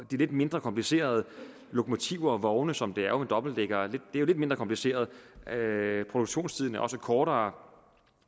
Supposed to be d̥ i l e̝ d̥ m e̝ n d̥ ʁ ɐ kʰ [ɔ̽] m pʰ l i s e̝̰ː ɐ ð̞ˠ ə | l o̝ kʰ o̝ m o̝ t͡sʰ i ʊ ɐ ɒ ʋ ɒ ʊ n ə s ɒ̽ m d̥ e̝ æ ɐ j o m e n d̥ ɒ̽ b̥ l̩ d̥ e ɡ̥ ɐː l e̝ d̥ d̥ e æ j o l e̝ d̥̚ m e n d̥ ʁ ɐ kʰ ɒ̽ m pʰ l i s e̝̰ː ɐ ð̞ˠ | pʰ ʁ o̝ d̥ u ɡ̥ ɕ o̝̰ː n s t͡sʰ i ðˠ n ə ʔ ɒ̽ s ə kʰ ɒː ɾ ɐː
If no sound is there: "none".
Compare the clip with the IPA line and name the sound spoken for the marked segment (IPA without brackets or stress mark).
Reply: ɒ̽